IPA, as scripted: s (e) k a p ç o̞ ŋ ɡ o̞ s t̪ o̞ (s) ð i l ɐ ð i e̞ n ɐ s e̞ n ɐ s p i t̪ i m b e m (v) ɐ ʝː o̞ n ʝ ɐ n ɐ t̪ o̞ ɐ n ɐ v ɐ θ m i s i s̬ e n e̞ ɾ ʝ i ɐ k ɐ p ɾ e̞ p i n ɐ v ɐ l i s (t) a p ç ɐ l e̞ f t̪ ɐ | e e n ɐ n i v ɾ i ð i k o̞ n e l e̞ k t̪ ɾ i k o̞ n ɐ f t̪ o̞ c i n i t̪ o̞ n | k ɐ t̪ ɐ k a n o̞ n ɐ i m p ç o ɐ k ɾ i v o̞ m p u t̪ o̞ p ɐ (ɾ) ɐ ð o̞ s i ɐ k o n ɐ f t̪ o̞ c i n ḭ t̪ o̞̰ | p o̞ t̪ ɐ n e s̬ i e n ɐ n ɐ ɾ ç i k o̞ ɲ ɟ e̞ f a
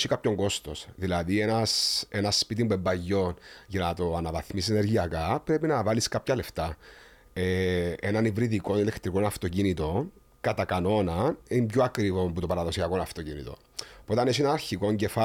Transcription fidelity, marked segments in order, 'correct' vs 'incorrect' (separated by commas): incorrect, correct, incorrect, incorrect, correct